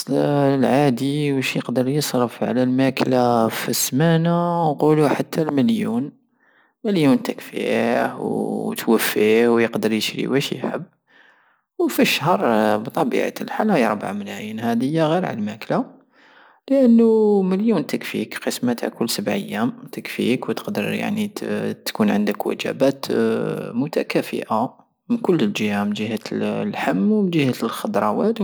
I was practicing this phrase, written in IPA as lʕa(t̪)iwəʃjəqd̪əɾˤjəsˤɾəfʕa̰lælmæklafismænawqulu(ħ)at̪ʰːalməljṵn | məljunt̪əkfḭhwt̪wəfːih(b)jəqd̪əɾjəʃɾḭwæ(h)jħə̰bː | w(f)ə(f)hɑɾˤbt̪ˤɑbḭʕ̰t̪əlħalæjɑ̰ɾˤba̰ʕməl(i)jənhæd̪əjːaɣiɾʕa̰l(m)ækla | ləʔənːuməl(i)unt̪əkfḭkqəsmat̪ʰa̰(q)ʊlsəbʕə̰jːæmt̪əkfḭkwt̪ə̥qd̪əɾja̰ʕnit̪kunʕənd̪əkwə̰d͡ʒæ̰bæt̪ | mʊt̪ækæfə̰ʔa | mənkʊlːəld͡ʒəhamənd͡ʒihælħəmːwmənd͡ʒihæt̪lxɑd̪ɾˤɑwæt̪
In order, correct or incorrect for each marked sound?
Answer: incorrect, correct, incorrect, incorrect, correct, incorrect, incorrect, correct, incorrect, incorrect

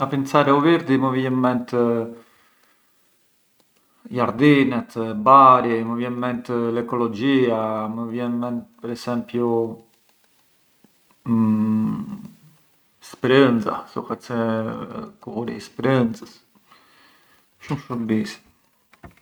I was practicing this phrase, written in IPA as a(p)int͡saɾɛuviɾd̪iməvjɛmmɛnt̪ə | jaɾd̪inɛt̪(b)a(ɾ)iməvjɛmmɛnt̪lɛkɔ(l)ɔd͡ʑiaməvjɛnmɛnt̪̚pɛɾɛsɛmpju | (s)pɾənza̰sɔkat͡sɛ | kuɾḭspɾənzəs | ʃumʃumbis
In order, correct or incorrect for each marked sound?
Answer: correct, correct, correct, correct, correct

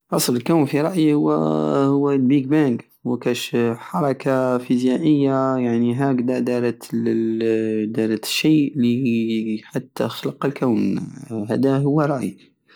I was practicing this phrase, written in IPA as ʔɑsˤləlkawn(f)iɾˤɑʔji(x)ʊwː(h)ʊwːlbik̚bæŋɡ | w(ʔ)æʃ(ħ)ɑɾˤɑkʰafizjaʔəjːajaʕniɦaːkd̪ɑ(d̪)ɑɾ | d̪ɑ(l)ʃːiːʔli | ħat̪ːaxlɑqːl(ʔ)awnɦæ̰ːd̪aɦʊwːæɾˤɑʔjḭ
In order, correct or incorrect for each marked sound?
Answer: correct, incorrect, correct, incorrect, correct, correct, incorrect, incorrect

